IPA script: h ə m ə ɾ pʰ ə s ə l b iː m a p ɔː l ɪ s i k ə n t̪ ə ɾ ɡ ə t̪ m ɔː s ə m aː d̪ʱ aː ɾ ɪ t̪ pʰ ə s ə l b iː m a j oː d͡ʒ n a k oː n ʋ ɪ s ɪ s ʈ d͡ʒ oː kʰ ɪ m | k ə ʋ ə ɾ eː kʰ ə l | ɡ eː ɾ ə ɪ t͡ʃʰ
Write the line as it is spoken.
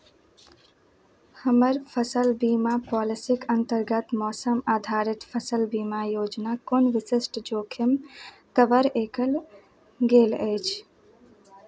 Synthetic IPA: h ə m ə ɾ pʰ ə s ə l b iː m a p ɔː l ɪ s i k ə n t̪ ə ɾ ɡ ə t̪ m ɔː s ə m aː d̪ʱ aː ɾ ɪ t̪ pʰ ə s ə l b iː m a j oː d͡ʒ n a k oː n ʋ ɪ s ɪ s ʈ d͡ʒ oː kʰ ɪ m | k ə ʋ ə ɾ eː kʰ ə l | ɡ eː l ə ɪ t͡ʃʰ

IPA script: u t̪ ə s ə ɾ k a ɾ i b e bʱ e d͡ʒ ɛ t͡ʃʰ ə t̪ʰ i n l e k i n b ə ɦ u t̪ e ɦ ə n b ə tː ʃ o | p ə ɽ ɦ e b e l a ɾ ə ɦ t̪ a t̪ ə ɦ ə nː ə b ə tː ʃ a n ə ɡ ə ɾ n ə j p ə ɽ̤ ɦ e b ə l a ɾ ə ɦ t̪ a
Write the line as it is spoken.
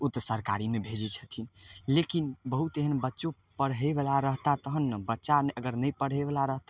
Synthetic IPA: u t̪ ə s ə ɾ k a ɾ i m e bʱ e d͡ʒ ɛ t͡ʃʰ ə t̪ʰ i n l e k i n b ə ɦ u t̪ e ɦ ə n b ə tː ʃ o | p ə ɽ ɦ e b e l a ɾ ə ɦ t̪ a t̪ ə ɦ ə nː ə b ə tː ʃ a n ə ɡ ə ɾ n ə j p ə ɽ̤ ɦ e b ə l a ɾ ə ɦ t̪ a

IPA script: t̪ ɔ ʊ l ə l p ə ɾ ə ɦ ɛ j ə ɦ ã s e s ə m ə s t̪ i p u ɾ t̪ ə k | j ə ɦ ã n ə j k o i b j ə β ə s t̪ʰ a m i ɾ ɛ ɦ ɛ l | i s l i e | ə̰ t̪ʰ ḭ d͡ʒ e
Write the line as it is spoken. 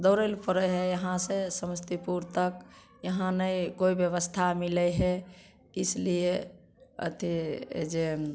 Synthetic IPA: d̪ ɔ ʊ ɾ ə l p ə ɾ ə ɦ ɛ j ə ɦ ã s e s ə m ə s t̪ i p u ɾ t̪ ə k | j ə ɦ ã n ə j k o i b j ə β ə s t̪ʰ a m i l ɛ ɦ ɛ | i s l i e | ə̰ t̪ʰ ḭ d͡ʒ e

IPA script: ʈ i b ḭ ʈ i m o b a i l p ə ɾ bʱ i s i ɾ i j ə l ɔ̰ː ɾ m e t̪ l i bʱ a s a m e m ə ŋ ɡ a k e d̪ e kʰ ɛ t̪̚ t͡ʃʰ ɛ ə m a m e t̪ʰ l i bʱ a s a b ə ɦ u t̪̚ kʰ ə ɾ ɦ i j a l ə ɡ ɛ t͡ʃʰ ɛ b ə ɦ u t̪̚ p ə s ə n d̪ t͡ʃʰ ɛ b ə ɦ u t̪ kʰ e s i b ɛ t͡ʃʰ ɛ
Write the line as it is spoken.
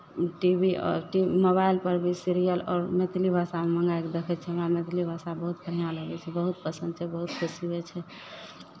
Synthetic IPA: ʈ i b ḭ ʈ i m o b a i l p ə ɾ bʱ i s i ɾ i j ə l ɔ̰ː ɾ m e t̪ l i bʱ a s a m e m ə ŋ ɡ a k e d̪ e kʰ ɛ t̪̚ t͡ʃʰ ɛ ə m a m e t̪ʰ l i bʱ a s a b ə ɦ u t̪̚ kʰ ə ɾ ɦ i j a l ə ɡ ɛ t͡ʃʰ ɛ b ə ɦ u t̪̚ p ə s ə n d̪ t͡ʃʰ ɛ b ə ɦ u t̪ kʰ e s i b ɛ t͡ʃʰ ɛ

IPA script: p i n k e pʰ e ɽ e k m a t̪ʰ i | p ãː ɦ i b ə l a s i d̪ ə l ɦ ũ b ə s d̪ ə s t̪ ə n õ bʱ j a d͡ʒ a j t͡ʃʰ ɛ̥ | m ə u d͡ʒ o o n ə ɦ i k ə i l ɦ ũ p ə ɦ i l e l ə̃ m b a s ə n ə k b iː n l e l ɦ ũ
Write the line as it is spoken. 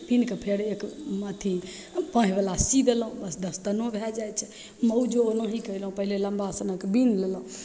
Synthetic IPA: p i n k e pʰ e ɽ e k m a t̪ʰ i | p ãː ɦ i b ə l a s i d̪ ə l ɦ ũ b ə s d̪ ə s t̪ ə n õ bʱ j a d͡ʒ a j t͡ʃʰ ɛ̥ | m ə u d͡ʒ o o n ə ɦ i k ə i l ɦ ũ p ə ɦ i l e l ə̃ m b a s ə n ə k b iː n l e l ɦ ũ

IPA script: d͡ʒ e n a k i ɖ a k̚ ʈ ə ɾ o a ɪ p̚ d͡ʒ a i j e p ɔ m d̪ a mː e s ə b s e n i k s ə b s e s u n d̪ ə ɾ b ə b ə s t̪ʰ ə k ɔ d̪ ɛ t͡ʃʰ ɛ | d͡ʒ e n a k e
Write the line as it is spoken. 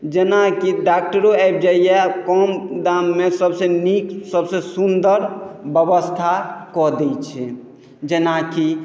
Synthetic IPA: d͡ʒ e n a k i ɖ a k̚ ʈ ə ɾ o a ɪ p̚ d͡ʒ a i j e k ɔ m d̪ a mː e s ə b s e n i k s ə b s e s u n d̪ ə ɾ b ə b ə s t̪ʰ a k ɔ d̪ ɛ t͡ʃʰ ɛ | d͡ʒ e n a k i

